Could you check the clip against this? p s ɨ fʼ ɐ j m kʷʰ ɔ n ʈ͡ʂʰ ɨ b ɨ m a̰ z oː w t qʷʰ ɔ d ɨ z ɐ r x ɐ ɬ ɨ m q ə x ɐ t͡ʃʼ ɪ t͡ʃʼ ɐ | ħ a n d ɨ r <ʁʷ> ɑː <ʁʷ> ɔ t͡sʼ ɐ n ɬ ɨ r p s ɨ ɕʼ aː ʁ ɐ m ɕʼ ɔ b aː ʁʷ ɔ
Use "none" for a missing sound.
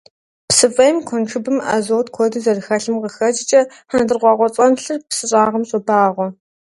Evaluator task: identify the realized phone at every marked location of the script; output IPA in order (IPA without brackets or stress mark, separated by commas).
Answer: ʁʷ, ʁʷ